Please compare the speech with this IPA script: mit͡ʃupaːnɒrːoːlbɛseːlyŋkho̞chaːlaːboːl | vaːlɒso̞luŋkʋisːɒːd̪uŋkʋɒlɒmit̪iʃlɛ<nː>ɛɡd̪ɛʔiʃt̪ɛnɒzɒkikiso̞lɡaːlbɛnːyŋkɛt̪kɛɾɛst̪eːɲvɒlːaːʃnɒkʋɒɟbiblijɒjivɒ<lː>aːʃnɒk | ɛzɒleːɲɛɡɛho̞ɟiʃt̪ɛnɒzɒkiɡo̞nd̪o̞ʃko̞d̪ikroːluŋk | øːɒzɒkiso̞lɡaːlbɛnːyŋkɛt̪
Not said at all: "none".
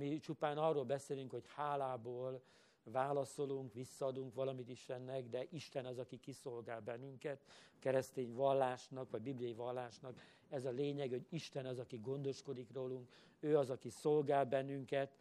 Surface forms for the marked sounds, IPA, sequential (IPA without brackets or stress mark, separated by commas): nː, lː